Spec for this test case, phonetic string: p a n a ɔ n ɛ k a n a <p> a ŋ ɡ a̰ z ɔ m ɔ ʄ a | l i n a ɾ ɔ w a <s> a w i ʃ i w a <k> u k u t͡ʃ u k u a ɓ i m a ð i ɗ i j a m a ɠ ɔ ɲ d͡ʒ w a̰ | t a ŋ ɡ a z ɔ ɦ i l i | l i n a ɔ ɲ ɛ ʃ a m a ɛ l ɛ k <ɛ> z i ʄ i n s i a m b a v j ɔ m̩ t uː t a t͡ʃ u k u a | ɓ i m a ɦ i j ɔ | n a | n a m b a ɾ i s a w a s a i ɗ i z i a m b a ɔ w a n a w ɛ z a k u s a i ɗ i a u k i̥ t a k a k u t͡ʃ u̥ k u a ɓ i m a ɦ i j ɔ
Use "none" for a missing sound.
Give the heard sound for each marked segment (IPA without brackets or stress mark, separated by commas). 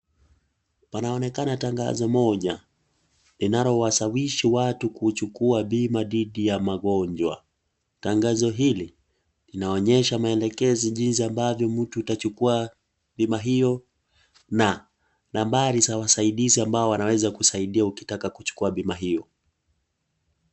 t, s, t, ɛ